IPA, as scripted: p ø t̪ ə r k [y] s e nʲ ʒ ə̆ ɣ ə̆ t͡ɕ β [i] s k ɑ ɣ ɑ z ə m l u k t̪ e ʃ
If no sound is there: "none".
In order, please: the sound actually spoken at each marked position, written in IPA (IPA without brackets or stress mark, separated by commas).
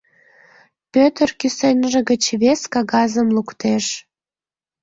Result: y, e